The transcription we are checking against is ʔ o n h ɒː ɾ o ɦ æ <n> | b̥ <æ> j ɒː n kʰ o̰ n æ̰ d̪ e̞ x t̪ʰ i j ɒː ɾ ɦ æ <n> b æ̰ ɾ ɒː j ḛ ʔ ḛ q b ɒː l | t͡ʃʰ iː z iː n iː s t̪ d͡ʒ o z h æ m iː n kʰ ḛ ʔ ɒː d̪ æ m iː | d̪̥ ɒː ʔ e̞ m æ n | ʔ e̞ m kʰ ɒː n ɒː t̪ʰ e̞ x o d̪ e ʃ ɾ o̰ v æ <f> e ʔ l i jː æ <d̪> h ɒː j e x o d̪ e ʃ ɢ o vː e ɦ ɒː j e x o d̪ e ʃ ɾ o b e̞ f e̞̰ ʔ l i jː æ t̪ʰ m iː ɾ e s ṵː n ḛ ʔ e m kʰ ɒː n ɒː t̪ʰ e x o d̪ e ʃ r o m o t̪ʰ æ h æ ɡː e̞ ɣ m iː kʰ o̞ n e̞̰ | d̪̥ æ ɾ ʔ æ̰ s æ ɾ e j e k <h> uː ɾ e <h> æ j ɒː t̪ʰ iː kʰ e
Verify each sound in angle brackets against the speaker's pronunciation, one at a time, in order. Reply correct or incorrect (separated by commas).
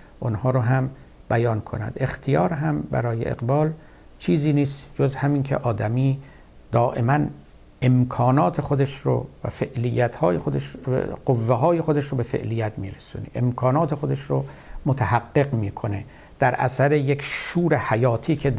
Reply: incorrect, correct, incorrect, correct, incorrect, incorrect, correct